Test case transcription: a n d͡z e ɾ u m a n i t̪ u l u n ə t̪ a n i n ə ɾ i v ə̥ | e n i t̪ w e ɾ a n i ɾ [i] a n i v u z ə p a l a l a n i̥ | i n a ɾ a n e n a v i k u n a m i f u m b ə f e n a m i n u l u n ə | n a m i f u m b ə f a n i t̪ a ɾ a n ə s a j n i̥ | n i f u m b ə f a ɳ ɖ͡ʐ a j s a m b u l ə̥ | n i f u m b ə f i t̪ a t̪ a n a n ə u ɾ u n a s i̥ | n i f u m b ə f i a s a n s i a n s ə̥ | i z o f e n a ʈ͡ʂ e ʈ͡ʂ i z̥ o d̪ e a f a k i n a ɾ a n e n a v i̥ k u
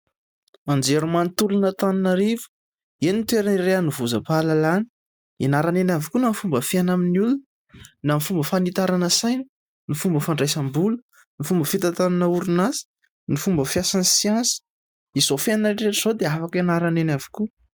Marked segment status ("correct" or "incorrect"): incorrect